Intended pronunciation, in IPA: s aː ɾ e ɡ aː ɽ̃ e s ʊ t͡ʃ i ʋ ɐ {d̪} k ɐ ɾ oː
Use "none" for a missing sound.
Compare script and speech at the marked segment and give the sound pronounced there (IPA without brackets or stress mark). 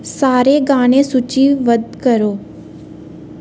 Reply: d̪